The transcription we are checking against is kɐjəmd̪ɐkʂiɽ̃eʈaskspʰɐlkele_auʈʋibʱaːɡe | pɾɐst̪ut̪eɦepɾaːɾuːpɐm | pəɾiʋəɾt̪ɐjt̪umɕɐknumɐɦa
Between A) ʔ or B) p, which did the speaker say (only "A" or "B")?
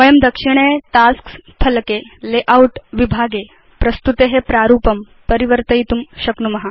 A